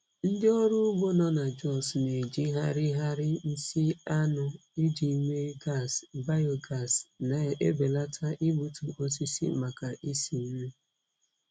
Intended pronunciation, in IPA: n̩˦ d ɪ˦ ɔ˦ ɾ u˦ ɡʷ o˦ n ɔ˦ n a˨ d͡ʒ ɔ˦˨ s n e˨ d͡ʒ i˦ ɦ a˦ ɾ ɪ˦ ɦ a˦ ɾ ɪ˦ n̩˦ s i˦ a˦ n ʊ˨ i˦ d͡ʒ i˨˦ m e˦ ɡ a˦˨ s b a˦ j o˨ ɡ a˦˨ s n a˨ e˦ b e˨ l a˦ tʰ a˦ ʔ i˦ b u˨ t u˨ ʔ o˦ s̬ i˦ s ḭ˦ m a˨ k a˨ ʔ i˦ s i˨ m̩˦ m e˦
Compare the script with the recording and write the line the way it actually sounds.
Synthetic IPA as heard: n̩˦ d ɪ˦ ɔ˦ ɾ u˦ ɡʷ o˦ n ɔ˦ n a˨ d͡ʒ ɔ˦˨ s n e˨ d͡ʒ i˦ ɦ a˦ ɾ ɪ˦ ɦ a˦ ɾ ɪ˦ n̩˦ s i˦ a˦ n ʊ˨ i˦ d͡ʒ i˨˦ m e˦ ɡ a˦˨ s b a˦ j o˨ ɡ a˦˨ s n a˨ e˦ b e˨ l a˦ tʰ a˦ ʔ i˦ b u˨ t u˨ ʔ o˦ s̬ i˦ s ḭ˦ m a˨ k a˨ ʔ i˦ s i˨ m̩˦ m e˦